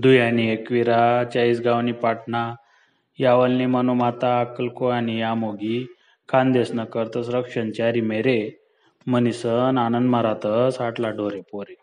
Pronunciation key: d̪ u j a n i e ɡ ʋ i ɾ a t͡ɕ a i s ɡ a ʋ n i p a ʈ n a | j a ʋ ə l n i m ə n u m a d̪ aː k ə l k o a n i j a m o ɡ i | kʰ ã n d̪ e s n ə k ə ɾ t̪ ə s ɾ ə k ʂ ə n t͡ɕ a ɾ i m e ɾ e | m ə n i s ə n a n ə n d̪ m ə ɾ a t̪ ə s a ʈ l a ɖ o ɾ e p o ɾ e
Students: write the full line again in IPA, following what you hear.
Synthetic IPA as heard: d̪ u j a n i e k ʋ i ɾ a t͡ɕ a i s ɡ a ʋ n i p a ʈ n a | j a ʋ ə l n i m ə n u m a t̪ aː k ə l k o a n i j a m o ɡ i | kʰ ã n d̪ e s n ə k ə ɾ t̪ ə s ɾ ə k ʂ ə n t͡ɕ a ɾ i m e ɾ e | m ə n i s ə n a n ə n d̪ m ə ɾ a t̪ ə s a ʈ l a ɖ o ɾ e p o ɾ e